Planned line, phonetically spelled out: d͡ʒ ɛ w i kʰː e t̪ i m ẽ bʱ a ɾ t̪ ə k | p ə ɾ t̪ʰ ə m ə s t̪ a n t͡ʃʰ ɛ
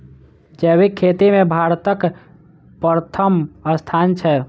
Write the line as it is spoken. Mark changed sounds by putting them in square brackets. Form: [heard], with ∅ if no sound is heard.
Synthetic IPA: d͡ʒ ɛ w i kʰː e t̪ i m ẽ bʱ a ɾ t̪ ə k | p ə ɾ t̪ʰ ə m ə s [t̪ʰ] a n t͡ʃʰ ɛ